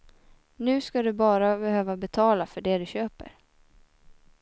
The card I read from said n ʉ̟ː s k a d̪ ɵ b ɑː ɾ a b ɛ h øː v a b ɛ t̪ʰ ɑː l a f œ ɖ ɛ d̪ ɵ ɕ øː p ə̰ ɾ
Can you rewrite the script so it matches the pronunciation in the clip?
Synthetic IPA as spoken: n ʉ̟ː s k a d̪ ɵ b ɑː ɾ a b ɛ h øː v a b ɛ t̪ʰ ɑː l a f œ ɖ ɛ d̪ ɵ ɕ øː p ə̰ ɾ